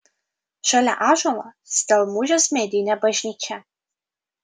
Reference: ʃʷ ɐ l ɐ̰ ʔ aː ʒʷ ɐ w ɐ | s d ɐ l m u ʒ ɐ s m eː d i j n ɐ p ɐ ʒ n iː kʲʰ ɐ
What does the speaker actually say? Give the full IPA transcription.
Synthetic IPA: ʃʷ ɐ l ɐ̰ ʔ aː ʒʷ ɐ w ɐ | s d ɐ l m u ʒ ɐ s m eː d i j n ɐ b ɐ ʒ n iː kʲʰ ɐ